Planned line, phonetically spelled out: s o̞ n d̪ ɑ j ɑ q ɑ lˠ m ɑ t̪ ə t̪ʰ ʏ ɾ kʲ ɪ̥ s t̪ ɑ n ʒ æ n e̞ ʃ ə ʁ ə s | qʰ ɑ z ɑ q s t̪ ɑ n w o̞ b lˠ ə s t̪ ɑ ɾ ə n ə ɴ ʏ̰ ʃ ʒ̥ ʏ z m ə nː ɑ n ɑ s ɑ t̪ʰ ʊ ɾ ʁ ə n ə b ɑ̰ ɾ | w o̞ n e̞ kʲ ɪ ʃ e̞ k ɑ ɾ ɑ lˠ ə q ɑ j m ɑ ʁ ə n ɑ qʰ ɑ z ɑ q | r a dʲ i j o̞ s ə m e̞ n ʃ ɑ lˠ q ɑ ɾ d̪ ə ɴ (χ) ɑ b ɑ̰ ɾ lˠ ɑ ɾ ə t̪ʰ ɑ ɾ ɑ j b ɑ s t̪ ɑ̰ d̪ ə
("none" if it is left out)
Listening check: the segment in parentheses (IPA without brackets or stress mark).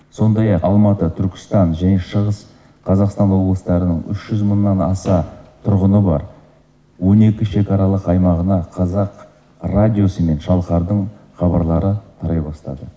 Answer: χ